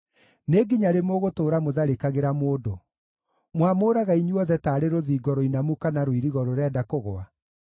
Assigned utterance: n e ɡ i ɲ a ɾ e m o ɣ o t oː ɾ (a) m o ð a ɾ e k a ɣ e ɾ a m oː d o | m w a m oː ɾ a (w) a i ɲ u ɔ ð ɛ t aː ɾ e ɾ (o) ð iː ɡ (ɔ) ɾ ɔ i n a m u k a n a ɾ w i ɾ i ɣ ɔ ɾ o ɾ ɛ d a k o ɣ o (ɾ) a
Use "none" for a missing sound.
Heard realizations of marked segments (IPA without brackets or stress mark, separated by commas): a, ɣ, o, ɔ, none